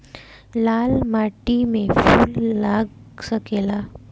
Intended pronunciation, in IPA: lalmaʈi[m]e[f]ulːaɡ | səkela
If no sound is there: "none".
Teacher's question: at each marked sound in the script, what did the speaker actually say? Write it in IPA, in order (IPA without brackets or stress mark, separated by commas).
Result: m, f